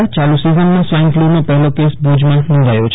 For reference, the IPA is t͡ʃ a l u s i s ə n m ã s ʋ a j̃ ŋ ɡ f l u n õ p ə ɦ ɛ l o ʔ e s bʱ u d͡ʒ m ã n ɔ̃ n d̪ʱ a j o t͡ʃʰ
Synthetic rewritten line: t͡ʃ a l u s i z ə n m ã s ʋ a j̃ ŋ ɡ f l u n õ p ə ɦ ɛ l o k e s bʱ u d͡ʒ m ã n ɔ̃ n d̪ʱ a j o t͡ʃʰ